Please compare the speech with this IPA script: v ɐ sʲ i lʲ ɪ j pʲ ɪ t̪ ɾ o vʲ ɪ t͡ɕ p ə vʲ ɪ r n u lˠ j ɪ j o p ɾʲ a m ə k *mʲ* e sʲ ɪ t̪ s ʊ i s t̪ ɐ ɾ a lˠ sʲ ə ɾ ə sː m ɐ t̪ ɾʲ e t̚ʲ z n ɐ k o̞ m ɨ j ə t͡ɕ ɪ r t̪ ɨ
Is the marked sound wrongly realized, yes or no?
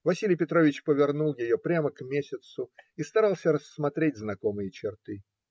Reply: no